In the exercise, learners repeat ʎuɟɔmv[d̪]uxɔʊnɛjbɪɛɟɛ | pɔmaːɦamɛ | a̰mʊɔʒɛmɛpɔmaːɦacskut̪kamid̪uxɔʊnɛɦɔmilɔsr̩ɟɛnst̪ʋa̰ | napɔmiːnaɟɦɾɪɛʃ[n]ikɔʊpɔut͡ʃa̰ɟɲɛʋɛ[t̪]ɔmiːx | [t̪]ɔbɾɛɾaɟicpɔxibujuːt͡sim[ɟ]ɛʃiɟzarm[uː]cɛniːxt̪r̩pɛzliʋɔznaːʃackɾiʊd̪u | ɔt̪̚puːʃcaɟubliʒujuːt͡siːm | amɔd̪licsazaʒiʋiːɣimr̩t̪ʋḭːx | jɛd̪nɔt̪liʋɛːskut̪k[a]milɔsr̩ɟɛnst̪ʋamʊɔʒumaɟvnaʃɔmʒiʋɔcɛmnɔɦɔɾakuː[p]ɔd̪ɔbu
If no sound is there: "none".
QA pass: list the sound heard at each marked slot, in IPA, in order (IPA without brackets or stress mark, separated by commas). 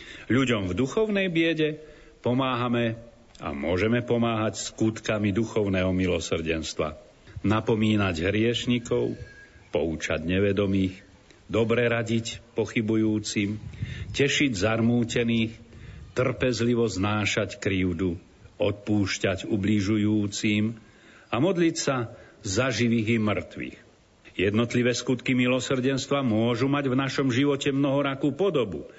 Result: d̪, ɲ, d̪, d̪, c, uː, i, p